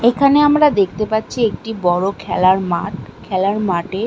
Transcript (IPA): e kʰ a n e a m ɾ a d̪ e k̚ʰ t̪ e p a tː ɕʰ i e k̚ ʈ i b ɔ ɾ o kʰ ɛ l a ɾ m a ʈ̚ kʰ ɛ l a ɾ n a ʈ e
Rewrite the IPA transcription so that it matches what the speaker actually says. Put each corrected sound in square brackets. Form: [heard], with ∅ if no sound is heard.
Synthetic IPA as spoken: e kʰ a n e a m ɾ a d̪ e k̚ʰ t̪ e p a tː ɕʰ i e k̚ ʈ i b ɔ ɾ o kʰ ɛ l a ɾ m a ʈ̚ kʰ ɛ l a ɾ [m] a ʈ e